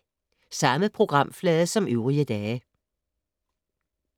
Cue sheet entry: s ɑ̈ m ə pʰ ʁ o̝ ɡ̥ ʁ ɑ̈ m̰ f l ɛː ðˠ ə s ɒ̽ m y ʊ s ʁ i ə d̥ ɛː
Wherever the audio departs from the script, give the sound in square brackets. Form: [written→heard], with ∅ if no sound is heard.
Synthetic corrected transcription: s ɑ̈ m ə pʰ ʁ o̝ ɡ̥ ʁ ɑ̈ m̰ f l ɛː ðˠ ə s ɒ̽ m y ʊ [s→∅] ʁ i ə d̥ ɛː